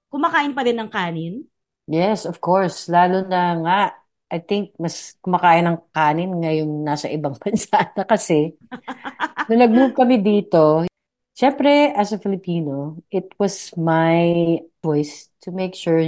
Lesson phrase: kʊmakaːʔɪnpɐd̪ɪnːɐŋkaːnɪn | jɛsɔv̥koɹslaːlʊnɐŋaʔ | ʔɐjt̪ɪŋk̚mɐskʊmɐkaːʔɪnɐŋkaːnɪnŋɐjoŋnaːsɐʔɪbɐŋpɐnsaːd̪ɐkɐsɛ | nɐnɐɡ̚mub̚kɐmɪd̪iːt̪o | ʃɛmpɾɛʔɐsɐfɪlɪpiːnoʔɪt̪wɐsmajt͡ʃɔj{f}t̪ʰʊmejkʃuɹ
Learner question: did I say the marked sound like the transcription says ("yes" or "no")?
no